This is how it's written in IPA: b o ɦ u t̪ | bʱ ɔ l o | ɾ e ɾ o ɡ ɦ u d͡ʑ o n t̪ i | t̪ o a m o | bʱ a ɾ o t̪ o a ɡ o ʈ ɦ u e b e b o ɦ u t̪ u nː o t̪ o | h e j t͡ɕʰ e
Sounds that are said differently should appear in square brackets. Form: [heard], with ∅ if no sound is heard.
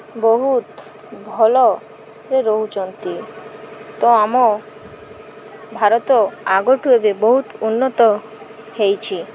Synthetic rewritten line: b o ɦ u t̪ | bʱ ɔ l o | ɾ e ɾ o [∅] ɦ u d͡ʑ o n t̪ i | t̪ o a m o | bʱ a ɾ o t̪ o a ɡ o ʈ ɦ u e b e b o ɦ u t̪ u nː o t̪ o | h e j t͡ɕʰ [i]

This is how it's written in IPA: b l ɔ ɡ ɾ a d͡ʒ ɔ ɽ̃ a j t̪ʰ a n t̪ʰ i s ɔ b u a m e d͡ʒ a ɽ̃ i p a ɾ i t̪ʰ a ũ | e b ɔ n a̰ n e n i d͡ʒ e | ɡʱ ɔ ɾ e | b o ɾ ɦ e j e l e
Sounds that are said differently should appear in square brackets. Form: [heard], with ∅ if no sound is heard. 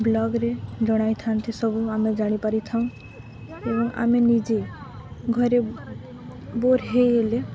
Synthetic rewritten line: b l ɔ ɡ ɾ [e] d͡ʒ ɔ ɽ̃ a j t̪ʰ a n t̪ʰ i s ɔ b u a m e d͡ʒ a ɽ̃ i p a ɾ i t̪ʰ a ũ | e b ɔ [ŋ] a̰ [m] e n i d͡ʒ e | ɡʱ ɔ ɾ e | b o ɾ ɦ e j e l e

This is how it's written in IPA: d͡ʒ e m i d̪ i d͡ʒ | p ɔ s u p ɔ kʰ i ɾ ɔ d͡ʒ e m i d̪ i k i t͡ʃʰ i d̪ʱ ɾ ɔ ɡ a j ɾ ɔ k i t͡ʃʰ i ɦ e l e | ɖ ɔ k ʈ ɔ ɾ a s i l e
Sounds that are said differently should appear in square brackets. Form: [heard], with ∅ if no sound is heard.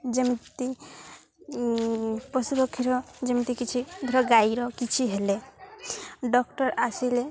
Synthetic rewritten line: d͡ʒ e m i [t̪] i [∅] | p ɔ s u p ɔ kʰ i ɾ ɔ d͡ʒ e m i [t̪] i k i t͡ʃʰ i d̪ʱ ɾ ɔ ɡ a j ɾ ɔ k i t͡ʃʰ i ɦ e l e | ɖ ɔ k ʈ ɔ ɾ a s i l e

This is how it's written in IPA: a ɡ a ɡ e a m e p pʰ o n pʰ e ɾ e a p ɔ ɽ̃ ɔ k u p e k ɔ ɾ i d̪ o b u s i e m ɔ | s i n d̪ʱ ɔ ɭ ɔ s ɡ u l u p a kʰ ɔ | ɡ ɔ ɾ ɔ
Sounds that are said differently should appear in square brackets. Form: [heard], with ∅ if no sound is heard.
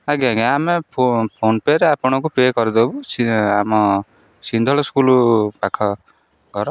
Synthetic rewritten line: a ɡ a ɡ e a m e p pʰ o n [p] e ɾ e a p ɔ ɽ̃ ɔ k u p e k ɔ ɾ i d̪ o b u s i [a] m ɔ | s i n d̪ʱ ɔ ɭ ɔ s [k] u l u p a kʰ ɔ | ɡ ɔ ɾ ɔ

